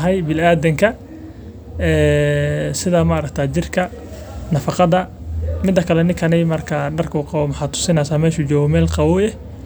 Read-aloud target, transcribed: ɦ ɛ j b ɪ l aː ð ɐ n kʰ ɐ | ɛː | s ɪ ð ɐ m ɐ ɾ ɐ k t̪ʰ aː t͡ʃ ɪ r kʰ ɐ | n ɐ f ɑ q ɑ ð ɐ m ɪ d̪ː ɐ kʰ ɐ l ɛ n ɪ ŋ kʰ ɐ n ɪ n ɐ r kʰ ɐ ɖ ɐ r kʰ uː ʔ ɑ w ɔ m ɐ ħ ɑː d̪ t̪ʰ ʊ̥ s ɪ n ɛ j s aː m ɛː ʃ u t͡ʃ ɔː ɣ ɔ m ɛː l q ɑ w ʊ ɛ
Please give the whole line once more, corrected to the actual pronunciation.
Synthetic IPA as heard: ɦ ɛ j b ɪ l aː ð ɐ ŋ kʰ ɐ | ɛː | s ɪ ð ɐ m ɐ ɾ ɐ k t̪ʰ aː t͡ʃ ɪ r kʰ ɐ | n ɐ f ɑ q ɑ ð ɐ m ɪ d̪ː ɐ kʰ ɐ l ɛ n ɪ ŋ kʰ ɐ n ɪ m ɐ r kʰ ɐ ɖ ɐ r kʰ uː q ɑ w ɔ m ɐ ħ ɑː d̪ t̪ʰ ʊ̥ s ɪ n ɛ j s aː m ɛː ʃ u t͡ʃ ɔː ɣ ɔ m ɛː l q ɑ w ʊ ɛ